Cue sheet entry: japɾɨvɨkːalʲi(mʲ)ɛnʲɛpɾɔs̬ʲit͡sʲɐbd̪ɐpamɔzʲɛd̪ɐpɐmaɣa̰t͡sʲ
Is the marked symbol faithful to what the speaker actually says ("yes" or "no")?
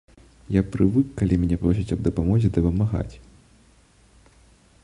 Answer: yes